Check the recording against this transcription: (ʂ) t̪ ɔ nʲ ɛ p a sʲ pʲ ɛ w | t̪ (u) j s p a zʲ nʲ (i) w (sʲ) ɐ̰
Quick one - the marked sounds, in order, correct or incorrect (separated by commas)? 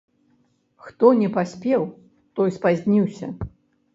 incorrect, incorrect, correct, correct